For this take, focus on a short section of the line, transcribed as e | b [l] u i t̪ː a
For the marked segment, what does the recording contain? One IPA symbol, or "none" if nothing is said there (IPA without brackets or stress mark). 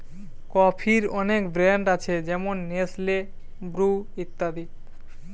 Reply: ɾ